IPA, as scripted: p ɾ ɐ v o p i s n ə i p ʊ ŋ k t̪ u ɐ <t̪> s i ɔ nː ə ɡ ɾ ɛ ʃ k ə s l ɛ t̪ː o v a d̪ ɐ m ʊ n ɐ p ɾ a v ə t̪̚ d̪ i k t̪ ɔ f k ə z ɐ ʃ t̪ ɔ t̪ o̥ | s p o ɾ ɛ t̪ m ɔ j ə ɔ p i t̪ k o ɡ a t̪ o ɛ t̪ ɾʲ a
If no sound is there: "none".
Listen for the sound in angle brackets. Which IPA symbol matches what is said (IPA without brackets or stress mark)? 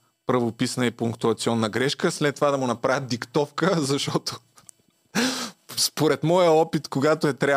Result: t̪